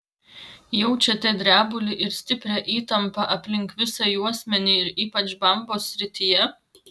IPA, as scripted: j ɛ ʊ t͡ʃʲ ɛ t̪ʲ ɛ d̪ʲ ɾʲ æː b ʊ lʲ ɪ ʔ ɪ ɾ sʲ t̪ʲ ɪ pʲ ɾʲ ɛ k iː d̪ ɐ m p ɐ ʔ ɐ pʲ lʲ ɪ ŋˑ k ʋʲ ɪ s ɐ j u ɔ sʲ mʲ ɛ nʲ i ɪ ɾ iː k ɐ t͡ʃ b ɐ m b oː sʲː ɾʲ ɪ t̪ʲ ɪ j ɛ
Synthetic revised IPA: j ɛ ʊ t͡ʃʲ ɛ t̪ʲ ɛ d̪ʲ ɾʲ æː b ʊ lʲ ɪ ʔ ɪ ɾ sʲ t̪ʲ ɪ pʲ ɾʲ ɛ ʔ iː t̪ ɐ m p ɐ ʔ ɐ pʲ lʲ ɪ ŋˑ k ʋʲ ɪ s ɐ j u ɔ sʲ mʲ ɛ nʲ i ɪ ɾ iː p ɐ t͡ʃ b ɐ m b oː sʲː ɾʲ ɪ t̪ʲ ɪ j ɛ